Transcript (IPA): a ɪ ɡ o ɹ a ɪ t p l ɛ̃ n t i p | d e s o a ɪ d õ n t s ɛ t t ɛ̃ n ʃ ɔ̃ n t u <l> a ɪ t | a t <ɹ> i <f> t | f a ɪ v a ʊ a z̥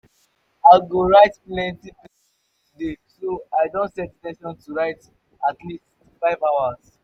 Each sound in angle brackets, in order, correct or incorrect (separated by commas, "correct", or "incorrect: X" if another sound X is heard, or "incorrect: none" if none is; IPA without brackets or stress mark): incorrect: ɹ, incorrect: l, incorrect: s